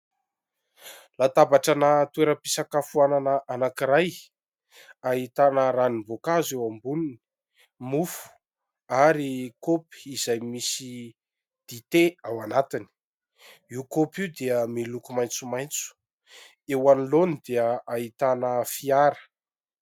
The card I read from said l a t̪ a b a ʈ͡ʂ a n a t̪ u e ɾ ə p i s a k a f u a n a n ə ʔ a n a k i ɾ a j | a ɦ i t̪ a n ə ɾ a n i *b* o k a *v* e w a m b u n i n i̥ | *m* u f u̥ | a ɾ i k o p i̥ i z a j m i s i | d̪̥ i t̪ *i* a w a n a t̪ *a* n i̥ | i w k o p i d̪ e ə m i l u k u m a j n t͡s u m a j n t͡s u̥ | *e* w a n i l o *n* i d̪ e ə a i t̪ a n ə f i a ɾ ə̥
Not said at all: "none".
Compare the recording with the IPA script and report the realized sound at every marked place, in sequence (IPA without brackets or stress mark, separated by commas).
v, z, m, e, i, e, n